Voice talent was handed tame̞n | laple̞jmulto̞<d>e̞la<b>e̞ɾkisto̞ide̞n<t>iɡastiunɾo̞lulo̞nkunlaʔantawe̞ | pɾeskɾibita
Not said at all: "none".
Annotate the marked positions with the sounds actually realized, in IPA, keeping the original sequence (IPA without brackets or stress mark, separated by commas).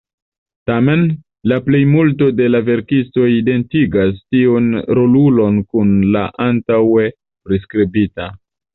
d, v, t